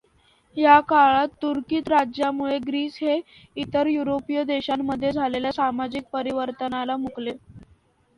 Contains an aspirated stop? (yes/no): no